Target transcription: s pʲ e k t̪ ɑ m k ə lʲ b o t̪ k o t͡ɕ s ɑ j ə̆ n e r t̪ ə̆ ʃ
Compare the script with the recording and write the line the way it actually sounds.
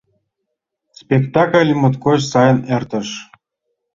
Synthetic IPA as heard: s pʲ e k t̪ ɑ k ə lʲ m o t̪ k o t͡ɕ s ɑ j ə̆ n e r t̪ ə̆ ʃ